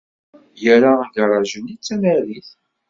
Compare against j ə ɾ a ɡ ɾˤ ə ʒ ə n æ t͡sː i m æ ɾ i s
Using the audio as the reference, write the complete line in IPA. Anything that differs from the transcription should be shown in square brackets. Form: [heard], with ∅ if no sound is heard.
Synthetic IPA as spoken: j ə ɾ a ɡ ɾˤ [ɑ] ʒ ə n [i] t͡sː [æ] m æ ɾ i [θ]